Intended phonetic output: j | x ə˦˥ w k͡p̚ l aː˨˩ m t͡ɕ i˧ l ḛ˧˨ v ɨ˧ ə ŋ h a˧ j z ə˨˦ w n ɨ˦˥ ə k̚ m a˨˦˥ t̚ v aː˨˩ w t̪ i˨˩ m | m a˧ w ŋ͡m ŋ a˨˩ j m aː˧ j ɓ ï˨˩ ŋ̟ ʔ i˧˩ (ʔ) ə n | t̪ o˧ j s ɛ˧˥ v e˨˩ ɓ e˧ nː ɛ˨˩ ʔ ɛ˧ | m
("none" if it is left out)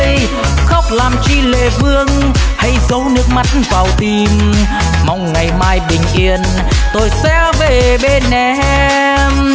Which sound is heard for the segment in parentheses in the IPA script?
none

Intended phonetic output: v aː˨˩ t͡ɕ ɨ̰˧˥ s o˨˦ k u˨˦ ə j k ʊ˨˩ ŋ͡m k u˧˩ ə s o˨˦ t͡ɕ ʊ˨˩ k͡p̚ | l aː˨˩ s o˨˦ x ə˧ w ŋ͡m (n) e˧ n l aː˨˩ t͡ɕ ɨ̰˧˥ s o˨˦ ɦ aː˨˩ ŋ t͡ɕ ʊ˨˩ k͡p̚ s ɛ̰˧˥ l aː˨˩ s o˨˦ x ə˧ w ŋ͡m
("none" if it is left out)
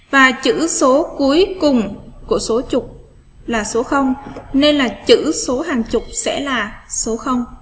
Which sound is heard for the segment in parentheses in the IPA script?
n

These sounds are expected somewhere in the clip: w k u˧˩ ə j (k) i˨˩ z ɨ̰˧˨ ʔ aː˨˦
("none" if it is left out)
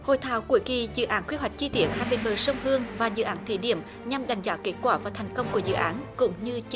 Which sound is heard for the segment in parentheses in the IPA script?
k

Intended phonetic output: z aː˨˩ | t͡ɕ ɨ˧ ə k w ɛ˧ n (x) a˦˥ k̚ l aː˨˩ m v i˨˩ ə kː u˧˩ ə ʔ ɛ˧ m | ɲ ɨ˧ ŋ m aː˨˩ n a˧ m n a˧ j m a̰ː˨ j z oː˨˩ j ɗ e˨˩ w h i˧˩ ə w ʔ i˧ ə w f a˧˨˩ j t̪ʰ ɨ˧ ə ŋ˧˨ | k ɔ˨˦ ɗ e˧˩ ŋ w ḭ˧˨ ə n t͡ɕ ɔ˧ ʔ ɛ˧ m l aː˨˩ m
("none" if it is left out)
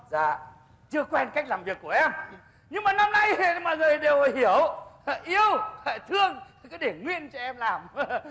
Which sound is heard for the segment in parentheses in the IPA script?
k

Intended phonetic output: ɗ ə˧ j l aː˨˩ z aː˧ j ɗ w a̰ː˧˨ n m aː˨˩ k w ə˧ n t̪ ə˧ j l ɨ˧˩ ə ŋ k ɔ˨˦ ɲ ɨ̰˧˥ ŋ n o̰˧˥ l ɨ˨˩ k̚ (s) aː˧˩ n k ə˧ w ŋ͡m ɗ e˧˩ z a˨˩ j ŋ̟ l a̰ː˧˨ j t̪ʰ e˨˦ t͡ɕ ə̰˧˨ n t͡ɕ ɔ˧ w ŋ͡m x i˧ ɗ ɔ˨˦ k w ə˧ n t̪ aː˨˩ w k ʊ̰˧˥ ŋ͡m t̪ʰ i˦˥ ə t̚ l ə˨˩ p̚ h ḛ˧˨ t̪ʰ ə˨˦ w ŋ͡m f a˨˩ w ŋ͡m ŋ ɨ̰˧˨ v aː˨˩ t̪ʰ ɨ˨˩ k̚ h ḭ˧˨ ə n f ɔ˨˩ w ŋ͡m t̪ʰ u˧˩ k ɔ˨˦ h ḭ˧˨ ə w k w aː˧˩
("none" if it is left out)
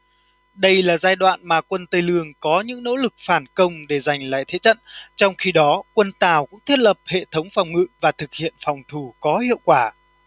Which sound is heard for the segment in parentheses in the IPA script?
f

